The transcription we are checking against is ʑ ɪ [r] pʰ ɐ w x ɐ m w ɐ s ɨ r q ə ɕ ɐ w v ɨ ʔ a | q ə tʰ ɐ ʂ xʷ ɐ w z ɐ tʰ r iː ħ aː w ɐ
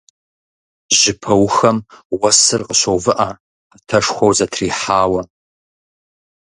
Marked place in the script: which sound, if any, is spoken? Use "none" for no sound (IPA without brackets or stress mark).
none